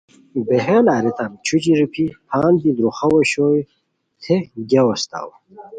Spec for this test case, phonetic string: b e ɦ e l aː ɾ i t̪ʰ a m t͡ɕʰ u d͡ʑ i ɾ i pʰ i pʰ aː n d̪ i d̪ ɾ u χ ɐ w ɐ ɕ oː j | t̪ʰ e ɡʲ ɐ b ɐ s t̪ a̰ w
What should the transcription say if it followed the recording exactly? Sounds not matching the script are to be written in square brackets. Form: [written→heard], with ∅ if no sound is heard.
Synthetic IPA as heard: b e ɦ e l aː ɾ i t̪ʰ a m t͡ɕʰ u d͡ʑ i ɾ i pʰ i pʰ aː n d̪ i d̪ ɾ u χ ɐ w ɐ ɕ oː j | t̪ʰ e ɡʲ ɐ [b→w] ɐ s t̪ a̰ w